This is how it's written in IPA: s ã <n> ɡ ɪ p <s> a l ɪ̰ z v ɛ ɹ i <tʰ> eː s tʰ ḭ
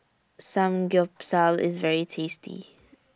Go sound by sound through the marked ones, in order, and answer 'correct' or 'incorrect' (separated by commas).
incorrect, correct, correct